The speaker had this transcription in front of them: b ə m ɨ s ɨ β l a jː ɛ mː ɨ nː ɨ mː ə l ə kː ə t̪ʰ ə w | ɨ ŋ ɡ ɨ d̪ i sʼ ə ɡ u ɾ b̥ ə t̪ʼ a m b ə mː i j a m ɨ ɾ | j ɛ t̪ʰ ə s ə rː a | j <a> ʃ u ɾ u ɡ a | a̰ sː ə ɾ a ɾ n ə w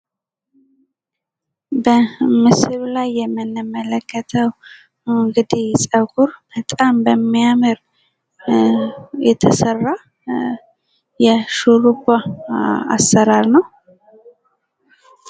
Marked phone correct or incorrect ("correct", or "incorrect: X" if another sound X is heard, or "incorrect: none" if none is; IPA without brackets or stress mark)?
incorrect: ɛ